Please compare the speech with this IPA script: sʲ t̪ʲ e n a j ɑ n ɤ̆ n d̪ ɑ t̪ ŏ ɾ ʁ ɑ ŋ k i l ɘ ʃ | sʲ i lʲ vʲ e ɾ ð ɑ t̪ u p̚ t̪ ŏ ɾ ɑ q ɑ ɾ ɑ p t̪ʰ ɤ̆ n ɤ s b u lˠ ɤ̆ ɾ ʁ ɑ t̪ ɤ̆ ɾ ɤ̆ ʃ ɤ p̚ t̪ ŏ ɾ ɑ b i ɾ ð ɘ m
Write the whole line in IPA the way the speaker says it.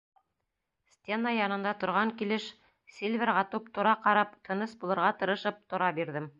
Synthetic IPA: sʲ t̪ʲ e n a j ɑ n ɤ̆ n d̪ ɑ t̪ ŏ ɾ ʁ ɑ ŋ k i l ɘ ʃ | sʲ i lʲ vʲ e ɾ ʁ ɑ t̪ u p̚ t̪ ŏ ɾ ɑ q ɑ ɾ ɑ p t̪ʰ ɤ̆ n ɤ s b u lˠ ɤ̆ ɾ ʁ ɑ t̪ ɤ̆ ɾ ɤ̆ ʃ ɤ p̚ t̪ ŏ ɾ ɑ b i ɾ ð ɘ m

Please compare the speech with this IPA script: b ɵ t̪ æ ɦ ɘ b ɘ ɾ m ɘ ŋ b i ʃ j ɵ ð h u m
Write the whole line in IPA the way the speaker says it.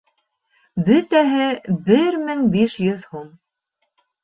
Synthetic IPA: b ɵ t̪ æ ɦ ɘ b ɘ ɾ m ɘ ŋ b i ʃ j ɵ ð h u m

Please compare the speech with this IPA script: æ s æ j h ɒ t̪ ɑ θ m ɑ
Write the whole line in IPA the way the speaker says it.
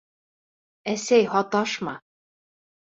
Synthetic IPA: æ s æ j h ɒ t̪ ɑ ʃ m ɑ

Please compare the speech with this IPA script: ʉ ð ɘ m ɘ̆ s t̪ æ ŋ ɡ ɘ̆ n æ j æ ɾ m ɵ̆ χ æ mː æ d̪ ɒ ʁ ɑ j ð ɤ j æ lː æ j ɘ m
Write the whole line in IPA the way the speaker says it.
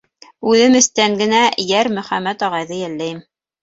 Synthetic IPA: ʉ ð ɘ m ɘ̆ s t̪ æ ŋ ɡ ɘ̆ n æ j æ ɾ m ɵ̆ χ æ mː æ t̪ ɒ ʁ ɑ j ð ɤ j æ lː æ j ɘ m

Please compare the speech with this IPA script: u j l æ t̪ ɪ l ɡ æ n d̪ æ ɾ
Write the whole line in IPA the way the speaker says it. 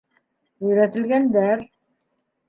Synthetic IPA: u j ɾ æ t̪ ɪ l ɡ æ n d̪ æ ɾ

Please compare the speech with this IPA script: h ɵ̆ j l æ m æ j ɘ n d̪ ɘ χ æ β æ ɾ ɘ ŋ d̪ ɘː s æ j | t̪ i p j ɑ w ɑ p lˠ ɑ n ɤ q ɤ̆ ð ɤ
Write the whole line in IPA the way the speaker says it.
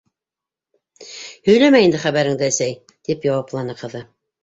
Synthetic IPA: h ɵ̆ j l æ m æ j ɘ n d̪ ɘ χ æ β æ ɾ ɘ ŋ d̪ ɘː s æ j | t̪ i p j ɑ w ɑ p lˠ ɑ n ɤ q ɤ̆ ð ɤ

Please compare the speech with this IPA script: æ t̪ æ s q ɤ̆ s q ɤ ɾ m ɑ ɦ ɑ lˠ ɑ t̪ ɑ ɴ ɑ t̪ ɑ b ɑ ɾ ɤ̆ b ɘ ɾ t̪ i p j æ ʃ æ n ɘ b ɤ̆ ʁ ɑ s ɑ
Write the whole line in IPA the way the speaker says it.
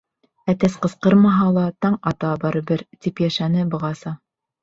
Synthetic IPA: æ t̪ æ s q ɤ̆ s q ɤ ɾ m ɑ ɦ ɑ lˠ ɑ t̪ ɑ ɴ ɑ t̪ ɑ b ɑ ɾ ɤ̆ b ɘ ɾ t̪ i p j æ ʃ æ n ɘ b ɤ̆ ʁ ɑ s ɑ

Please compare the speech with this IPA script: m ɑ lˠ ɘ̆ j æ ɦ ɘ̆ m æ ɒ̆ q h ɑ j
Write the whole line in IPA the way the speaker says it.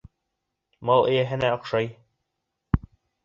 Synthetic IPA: m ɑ lˠ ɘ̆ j æ ɦ ɘ̆ n æ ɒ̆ q ʃ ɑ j

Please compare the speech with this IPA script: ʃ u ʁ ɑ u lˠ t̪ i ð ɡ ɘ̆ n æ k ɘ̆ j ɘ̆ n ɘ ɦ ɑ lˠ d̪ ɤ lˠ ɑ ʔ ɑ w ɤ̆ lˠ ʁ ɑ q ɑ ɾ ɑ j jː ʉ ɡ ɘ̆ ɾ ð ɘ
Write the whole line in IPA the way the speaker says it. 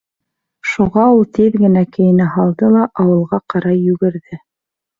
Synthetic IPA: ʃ u ʁ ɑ u lˠ t̪ i ð ɡ ɘ̆ n æ k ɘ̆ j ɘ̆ n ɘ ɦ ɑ lˠ d̪ ɤ lˠ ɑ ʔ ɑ w ɤ̆ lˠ ʁ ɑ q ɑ ɾ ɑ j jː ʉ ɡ ɘ̆ ɾ ð ɘ

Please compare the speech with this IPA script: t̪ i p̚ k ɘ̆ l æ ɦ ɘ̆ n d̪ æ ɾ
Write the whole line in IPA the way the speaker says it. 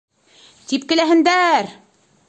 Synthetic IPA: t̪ i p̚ k ɘ̆ l æ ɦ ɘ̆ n d̪ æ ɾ

